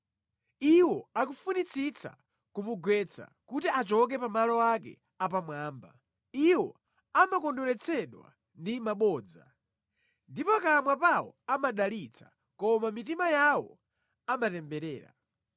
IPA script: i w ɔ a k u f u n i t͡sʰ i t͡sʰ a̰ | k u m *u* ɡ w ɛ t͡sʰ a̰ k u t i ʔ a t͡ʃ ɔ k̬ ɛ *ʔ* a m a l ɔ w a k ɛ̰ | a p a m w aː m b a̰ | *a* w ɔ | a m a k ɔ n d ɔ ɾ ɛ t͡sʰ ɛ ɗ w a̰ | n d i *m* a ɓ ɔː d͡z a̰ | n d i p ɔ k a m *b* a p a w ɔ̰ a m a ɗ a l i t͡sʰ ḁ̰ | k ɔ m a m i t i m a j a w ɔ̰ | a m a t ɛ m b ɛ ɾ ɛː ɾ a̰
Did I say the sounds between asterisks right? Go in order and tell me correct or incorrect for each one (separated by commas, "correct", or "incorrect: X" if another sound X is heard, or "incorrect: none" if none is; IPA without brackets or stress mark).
correct, incorrect: p, incorrect: i, correct, incorrect: w